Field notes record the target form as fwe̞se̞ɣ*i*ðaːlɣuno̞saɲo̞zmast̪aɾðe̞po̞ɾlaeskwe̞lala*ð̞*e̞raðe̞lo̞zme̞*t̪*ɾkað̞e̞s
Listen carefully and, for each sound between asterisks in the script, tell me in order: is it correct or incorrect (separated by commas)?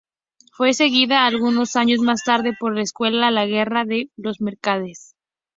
correct, incorrect, incorrect